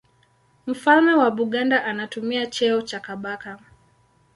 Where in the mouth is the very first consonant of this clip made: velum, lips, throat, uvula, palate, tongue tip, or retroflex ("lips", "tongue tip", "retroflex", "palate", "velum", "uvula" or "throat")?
lips